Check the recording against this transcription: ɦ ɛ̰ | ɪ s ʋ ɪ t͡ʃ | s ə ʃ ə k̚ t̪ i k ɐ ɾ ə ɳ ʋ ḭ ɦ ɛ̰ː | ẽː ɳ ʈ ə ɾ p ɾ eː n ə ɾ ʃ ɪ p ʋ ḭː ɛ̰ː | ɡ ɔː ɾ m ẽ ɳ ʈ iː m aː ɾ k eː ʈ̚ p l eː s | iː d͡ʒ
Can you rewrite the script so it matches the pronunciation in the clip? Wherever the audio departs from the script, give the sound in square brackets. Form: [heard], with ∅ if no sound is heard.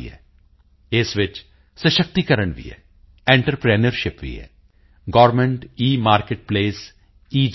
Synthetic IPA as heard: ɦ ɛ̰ | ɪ s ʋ ɪ t͡ʃ | s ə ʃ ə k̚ t̪ i k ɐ ɾ ə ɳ ʋ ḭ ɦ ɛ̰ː | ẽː ɳ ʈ ə ɾ p ɾ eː n ə ɾ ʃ ɪ p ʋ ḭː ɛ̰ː | ɡ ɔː ɾ m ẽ ɳ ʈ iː m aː ɾ k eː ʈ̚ p l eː s | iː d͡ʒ